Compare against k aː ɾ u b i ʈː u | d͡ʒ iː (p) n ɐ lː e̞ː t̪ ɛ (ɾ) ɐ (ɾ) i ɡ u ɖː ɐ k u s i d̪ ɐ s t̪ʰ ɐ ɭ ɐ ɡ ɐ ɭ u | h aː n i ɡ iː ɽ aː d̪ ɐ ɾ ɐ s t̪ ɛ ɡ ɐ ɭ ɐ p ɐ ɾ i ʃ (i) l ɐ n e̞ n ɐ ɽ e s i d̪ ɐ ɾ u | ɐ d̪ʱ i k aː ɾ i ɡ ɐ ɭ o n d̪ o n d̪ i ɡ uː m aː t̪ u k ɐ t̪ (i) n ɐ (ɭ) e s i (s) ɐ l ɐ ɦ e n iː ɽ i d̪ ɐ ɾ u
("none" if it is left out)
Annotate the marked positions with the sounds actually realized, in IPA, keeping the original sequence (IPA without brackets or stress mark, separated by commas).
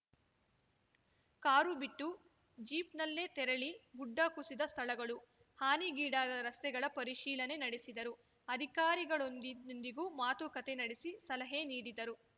p, ɾ, ɭ, iː, e, ɽ, s